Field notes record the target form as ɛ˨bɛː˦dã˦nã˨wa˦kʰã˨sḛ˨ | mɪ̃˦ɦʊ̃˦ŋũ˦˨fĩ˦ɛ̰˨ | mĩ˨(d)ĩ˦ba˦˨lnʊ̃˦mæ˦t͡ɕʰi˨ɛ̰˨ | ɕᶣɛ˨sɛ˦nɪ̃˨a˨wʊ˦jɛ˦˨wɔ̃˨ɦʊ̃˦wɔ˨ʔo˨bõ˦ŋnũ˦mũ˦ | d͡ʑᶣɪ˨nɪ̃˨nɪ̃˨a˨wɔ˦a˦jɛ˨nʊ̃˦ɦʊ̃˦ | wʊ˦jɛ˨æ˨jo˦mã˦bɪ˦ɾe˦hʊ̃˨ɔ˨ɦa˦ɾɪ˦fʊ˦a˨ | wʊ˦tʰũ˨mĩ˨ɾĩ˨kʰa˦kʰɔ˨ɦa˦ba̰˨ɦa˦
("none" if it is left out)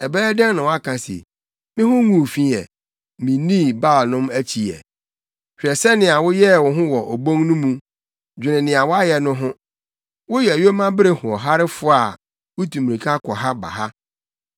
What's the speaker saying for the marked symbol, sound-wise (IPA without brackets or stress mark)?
n